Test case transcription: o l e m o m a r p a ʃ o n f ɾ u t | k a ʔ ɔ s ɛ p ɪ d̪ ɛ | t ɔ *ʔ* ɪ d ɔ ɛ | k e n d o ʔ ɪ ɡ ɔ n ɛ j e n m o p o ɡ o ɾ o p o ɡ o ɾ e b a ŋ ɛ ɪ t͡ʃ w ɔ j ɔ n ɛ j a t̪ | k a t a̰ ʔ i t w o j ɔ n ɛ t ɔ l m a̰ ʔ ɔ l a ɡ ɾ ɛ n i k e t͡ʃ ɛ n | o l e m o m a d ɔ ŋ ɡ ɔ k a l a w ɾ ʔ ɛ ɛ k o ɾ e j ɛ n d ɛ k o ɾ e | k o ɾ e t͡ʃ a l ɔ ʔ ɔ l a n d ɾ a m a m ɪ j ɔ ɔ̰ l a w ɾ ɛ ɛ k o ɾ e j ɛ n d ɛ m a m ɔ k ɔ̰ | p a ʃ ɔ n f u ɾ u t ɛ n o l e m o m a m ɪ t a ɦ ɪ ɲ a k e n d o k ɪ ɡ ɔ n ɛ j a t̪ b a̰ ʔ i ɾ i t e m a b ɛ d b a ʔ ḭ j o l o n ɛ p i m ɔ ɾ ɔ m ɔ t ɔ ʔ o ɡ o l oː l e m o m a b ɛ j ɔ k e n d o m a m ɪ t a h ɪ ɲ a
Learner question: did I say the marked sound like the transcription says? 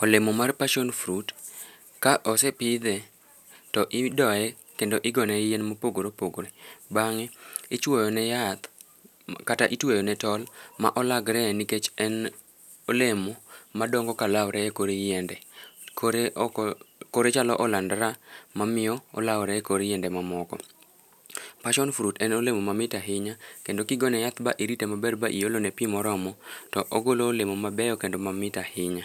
yes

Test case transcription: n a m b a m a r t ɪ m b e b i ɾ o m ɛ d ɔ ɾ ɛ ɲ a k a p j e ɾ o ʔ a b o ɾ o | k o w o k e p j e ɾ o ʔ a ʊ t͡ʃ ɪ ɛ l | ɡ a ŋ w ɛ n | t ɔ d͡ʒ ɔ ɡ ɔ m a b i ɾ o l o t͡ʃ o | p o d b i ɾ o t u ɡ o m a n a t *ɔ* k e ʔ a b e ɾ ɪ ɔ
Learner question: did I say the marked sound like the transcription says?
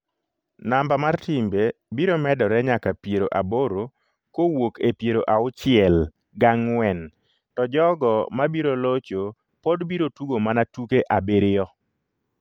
no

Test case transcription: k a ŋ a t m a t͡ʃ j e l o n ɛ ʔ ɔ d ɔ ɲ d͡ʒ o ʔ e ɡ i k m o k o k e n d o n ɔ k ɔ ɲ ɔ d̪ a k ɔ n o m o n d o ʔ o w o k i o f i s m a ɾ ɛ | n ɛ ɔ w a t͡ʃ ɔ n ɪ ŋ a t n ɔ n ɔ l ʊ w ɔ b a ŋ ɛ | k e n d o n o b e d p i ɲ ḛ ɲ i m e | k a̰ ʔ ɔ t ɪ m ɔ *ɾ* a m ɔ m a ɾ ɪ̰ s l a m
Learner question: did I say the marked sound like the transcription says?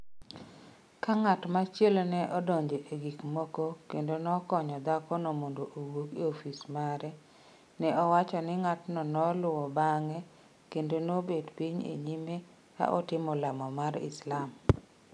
no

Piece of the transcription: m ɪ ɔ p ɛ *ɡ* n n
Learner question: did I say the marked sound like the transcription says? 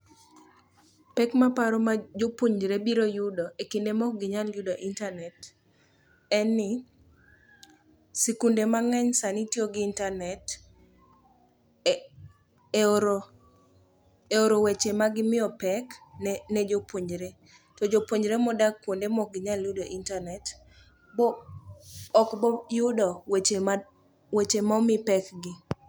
no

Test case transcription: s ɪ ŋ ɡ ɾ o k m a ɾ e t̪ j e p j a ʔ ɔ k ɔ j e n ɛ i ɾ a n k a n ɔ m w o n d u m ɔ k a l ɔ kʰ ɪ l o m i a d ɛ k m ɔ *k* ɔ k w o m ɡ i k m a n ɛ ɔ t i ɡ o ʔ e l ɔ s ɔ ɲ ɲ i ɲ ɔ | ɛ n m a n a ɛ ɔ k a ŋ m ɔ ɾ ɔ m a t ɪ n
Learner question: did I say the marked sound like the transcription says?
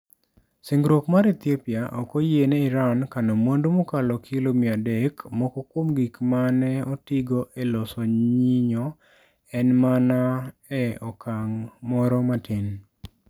yes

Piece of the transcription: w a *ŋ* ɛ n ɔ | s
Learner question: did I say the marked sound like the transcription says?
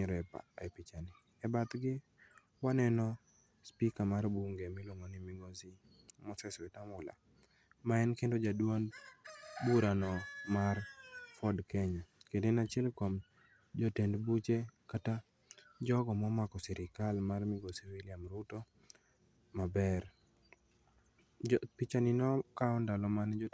no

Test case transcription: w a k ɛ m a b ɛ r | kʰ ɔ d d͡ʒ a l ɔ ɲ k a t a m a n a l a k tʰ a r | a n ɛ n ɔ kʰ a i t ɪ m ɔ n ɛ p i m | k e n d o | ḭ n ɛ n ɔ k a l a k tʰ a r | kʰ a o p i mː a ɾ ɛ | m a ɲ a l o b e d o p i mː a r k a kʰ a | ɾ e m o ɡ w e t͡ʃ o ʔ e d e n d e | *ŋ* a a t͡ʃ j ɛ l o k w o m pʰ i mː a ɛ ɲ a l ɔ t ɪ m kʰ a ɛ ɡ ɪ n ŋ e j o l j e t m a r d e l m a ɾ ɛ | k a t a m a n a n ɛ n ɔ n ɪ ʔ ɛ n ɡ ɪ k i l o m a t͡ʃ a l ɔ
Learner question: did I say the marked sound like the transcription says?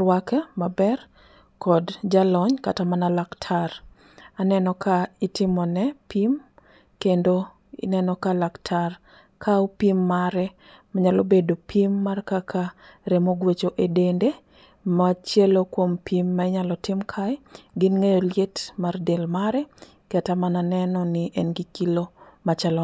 no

